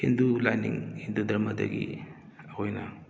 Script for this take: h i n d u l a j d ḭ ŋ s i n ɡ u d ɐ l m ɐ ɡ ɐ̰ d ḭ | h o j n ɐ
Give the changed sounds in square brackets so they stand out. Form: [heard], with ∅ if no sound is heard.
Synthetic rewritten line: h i n d u l a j [n] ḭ ŋ [h] i n [d] u d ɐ [ɾ] m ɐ [d] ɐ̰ [ɡ] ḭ | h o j n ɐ